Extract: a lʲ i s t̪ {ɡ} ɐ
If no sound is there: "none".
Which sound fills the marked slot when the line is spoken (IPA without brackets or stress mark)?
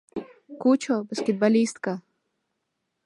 k